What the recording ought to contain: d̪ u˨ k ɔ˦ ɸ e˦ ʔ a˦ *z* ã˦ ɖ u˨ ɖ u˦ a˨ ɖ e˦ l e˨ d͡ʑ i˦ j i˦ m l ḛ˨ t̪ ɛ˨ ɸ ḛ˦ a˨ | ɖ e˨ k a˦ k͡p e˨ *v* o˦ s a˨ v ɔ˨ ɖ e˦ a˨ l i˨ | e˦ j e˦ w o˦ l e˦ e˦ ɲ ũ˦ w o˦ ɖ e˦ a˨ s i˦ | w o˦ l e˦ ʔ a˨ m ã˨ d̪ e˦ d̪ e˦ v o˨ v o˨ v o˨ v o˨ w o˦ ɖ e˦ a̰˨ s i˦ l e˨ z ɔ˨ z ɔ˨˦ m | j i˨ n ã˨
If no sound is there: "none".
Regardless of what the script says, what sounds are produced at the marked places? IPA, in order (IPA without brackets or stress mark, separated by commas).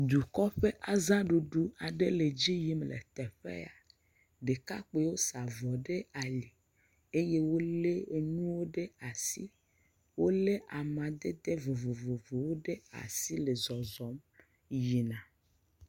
z, w